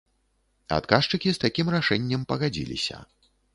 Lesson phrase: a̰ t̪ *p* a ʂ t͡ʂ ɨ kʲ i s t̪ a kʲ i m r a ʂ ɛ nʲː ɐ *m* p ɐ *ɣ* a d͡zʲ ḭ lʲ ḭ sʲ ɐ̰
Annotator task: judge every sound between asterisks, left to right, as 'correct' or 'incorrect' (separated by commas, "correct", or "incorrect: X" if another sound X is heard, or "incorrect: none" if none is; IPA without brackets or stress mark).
incorrect: k, correct, correct